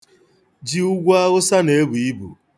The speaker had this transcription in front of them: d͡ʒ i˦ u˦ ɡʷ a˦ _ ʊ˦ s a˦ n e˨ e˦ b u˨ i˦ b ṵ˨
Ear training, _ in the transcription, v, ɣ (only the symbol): ɣ